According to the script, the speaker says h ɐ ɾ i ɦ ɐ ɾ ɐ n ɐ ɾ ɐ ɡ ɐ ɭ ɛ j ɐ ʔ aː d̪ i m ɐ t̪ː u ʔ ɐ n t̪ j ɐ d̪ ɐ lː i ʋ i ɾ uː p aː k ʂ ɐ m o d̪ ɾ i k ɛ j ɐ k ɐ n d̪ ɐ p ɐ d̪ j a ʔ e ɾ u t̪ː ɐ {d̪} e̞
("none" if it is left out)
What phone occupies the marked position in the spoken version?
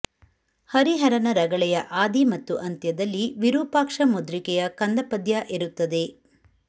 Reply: d̪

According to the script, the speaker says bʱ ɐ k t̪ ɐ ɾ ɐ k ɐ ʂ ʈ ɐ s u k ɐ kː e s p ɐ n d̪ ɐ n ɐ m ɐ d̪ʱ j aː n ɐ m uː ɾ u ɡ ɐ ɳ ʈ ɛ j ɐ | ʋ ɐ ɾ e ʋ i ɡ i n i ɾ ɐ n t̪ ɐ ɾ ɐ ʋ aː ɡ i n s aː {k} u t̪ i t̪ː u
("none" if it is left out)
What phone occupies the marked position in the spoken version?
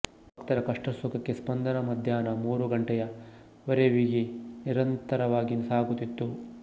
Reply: ɡ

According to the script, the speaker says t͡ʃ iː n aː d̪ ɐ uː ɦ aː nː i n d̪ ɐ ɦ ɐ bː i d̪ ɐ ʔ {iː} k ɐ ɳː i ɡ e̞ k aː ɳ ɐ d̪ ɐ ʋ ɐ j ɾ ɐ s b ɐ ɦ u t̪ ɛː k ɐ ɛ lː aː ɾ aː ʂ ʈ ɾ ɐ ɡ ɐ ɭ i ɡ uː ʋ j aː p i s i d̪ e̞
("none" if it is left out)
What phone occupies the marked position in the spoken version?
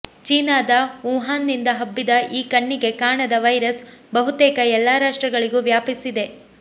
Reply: iː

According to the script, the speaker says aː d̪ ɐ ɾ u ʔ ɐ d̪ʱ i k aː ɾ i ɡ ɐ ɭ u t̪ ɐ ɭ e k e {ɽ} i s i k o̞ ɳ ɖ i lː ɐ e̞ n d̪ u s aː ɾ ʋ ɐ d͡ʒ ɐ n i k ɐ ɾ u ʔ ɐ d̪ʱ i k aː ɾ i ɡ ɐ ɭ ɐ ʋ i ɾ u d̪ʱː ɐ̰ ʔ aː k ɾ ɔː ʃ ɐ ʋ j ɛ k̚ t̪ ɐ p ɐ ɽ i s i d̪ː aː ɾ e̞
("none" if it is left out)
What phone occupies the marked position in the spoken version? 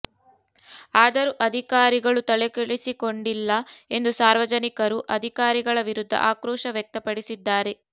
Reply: ɭ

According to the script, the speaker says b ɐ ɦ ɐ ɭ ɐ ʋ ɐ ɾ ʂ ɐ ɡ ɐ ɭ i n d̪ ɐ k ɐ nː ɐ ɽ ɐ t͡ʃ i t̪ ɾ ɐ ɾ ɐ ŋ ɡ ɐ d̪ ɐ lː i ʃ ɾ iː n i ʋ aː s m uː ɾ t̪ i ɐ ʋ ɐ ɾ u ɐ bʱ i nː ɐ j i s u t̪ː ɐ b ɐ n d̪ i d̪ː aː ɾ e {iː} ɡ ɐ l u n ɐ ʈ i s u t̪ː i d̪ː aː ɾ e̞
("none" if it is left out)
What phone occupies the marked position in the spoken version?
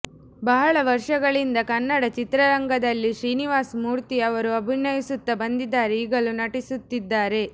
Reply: iː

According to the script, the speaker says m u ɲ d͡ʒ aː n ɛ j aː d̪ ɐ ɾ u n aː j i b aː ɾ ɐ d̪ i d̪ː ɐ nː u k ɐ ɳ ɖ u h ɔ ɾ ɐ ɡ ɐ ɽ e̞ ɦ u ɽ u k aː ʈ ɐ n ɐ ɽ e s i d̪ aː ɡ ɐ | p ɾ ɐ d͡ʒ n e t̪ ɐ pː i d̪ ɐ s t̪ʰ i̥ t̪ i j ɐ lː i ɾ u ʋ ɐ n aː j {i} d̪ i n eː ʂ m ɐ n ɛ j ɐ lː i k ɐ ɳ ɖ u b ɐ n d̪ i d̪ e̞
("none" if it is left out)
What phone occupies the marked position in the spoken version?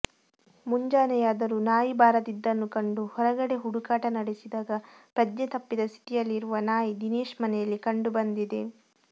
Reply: i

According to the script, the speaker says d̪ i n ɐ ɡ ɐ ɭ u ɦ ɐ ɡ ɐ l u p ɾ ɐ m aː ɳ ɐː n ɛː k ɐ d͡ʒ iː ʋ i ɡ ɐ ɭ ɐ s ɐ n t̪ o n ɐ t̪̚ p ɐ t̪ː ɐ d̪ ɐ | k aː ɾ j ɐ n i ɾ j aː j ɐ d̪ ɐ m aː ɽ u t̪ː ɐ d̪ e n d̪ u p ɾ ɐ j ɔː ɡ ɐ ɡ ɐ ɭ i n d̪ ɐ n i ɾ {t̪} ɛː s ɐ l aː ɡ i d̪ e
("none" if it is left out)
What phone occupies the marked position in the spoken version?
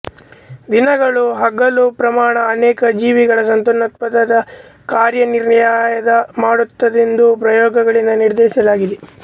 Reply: d̪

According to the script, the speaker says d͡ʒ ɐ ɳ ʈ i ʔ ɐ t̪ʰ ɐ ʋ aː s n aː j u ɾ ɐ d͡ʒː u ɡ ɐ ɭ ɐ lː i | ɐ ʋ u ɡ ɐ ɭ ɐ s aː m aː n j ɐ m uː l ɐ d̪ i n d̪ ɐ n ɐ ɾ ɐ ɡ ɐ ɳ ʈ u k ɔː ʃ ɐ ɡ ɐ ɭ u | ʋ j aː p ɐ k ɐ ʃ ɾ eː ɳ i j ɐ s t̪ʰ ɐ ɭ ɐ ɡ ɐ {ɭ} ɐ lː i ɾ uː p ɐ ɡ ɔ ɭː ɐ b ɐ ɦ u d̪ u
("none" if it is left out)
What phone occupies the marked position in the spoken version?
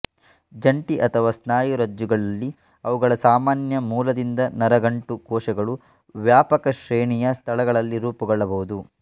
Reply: ɭ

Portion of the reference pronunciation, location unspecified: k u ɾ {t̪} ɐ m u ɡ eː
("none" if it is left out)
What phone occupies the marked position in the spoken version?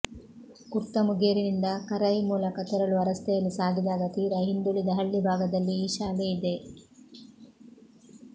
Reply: t̪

